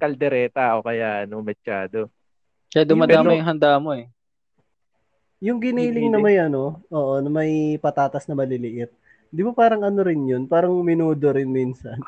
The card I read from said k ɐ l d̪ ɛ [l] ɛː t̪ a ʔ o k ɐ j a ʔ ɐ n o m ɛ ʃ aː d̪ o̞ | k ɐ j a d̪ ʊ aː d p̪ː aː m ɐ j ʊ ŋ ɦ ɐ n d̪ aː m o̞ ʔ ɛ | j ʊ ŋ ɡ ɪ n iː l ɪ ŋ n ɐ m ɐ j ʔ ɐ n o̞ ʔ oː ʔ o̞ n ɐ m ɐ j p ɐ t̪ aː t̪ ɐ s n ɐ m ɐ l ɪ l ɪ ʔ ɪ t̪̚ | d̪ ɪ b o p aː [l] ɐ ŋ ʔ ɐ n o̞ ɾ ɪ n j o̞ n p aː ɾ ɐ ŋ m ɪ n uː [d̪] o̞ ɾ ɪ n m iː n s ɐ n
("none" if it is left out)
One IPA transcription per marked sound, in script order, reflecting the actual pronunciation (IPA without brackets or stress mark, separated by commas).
ɾ, ɾ, d̪